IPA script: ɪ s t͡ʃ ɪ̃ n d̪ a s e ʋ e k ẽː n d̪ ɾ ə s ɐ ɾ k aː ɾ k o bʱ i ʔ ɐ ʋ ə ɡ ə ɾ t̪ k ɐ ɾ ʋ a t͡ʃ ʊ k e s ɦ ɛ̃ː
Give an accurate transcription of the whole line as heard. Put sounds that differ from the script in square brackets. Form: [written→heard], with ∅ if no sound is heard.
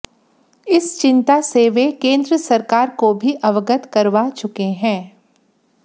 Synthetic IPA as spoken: ɪ s t͡ʃ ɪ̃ n [d̪→t̪] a s e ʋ e k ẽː n d̪ ɾ ə s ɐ ɾ k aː ɾ k o bʱ i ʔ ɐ ʋ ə ɡ ə [ɾ→∅] t̪ k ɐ ɾ ʋ a t͡ʃ ʊ k e [s→∅] ɦ ɛ̃ː